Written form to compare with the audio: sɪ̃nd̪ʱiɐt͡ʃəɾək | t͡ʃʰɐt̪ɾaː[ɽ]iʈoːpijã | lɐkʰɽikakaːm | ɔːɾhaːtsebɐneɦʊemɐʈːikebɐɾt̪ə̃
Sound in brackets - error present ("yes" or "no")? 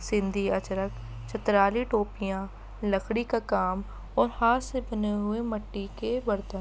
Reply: yes